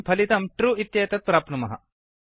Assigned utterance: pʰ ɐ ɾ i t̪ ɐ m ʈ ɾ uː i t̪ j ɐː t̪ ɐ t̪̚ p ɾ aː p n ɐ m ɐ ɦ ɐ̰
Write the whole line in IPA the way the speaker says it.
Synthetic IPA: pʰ ɐ l i t̪ ɐ m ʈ ɾ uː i t̪ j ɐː t̪ ɐ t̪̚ p ɾ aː p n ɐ m ɐ ɦ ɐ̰